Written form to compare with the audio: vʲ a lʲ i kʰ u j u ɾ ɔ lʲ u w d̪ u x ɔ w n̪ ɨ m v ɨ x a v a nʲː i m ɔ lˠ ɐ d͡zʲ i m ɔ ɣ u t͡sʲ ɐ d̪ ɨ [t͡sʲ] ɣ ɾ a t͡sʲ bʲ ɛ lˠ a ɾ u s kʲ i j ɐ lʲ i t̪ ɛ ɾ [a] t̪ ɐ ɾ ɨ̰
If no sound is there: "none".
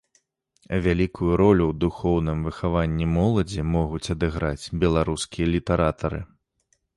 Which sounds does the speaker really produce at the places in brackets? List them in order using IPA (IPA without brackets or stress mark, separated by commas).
none, a